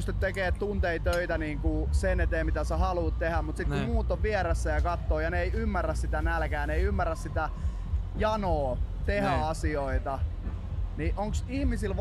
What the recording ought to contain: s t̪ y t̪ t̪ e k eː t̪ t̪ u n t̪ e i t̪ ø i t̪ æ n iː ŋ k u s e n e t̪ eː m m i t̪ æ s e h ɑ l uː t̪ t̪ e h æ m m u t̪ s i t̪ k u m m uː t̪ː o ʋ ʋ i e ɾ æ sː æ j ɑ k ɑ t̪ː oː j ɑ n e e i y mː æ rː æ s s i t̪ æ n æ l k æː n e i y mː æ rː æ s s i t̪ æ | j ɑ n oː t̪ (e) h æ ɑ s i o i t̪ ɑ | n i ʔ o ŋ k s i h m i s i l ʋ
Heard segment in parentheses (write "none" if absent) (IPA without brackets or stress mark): e